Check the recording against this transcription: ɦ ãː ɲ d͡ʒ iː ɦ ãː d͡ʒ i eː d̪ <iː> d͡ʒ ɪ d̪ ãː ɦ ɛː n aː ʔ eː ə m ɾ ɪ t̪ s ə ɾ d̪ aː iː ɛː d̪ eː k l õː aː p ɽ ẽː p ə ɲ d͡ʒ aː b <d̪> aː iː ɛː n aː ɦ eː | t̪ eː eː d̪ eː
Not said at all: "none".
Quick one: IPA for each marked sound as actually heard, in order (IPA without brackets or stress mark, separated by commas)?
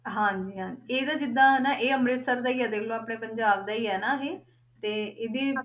aː, d̪